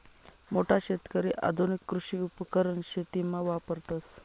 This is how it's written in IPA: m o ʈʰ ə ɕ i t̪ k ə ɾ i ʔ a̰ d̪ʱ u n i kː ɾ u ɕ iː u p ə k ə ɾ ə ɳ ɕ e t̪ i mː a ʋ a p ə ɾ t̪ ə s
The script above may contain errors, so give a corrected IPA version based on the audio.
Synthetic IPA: m o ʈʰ a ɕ e t̪ k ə ɾ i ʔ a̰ d̪ʱ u n i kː ɾ u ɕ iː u p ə k ə ɾ ə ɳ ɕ e t̪ i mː a ʋ a p ə ɾ t̪ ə s